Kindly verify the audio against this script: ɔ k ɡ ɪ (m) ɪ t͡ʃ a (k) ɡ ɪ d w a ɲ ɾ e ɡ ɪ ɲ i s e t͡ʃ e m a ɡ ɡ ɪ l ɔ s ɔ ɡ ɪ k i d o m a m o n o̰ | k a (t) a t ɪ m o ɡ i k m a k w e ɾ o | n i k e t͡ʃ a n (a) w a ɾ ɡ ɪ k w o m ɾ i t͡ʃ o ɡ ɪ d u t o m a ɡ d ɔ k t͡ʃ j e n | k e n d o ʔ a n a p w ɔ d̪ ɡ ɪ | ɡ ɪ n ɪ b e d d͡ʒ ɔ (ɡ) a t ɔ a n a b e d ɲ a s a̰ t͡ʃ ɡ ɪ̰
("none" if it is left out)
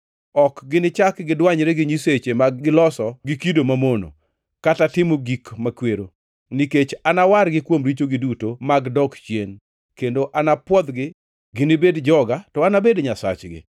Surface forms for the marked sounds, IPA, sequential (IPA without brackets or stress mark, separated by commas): n, k, t, a, ɡ